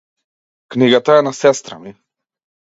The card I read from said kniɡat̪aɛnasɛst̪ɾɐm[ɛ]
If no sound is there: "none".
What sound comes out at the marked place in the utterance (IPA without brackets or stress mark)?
i